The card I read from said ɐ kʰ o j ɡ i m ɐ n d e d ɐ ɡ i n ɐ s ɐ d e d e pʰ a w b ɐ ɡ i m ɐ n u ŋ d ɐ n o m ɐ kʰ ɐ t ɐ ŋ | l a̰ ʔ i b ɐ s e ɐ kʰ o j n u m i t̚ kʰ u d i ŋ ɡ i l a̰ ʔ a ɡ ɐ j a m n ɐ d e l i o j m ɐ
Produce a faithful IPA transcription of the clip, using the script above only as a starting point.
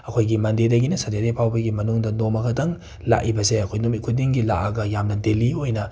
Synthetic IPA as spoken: ɐ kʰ o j ɡ i m ɐ n d e d ɐ ɡ i n ɐ s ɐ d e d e pʰ a w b ɐ ɡ i m ɐ n u ŋ d ɐ n o m ɐ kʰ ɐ t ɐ ŋ | l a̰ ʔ i b ɐ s e ɐ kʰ o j n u m i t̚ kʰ u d i ŋ ɡ i l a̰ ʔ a ɡ ɐ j a m n ɐ d e l i o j n ɐ